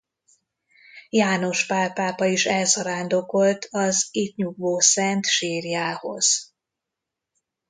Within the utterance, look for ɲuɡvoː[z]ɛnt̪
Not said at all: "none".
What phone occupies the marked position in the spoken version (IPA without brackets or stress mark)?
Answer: s